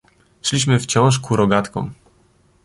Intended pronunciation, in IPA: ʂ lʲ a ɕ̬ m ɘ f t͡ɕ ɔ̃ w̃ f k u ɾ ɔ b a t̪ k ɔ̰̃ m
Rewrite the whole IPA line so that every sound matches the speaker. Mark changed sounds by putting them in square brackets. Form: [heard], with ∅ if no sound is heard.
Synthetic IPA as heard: ʂ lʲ [i] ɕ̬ m ɘ f t͡ɕ ɔ̃ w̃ [ʂ] k u ɾ ɔ [ɡ] a t̪ k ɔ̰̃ m